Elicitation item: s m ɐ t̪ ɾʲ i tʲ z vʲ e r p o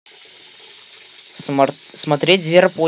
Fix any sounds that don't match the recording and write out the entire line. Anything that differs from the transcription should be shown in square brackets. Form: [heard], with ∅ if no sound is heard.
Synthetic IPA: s m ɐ t̪ ɾʲ [e] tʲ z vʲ e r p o

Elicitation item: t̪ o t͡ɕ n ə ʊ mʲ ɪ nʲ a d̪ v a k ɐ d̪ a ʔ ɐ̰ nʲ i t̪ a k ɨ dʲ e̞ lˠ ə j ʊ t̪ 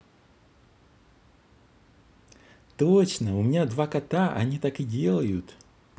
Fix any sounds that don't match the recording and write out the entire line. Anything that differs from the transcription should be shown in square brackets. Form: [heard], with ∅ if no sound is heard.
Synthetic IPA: t̪ o t͡ɕ n ə ʊ mʲ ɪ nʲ a d̪ v a k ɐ [t̪] a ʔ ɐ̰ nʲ i t̪ a k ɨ dʲ e̞ lˠ ə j ʊ t̪

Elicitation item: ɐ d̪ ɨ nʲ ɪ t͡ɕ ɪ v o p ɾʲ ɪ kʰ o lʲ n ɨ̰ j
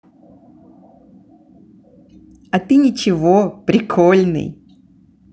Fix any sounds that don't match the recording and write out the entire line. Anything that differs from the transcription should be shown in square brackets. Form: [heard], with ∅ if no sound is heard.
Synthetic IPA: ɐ [t̪] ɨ nʲ ɪ t͡ɕ ɪ v o p ɾʲ ɪ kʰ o lʲ n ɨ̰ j

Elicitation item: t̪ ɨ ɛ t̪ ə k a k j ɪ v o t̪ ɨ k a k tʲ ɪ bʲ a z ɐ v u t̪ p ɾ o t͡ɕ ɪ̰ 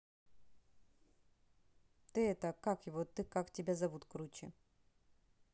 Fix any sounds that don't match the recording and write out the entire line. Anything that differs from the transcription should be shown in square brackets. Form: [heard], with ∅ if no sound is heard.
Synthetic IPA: t̪ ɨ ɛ t̪ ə k a k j ɪ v o t̪ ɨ k a k tʲ ɪ bʲ a z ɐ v u t̪ [k] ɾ [u] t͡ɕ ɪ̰

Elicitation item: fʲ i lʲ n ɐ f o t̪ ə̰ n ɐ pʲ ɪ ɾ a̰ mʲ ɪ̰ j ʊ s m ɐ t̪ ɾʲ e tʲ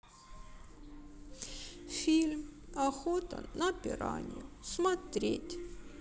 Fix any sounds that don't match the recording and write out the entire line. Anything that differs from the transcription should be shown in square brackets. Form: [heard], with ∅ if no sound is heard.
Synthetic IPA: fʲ i lʲ [m] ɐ [x] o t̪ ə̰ n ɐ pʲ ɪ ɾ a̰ [nʲ] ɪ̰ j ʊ s m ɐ t̪ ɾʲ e tʲ

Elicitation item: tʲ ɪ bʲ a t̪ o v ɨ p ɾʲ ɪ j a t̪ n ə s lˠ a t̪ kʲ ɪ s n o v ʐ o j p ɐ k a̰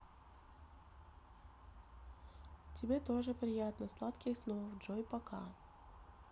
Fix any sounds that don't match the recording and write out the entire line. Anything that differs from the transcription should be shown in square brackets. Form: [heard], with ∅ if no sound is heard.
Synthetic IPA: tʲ ɪ bʲ [e] t̪ o [ʐ] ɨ p ɾʲ ɪ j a t̪ n ə s lˠ a t̪ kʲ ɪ s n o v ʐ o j p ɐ k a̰

